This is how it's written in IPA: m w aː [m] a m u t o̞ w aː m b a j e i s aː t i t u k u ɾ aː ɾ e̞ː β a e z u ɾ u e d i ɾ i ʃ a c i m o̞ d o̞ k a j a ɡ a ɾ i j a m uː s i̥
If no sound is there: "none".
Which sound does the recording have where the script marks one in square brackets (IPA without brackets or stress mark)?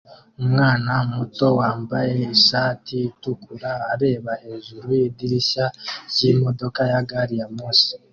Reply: n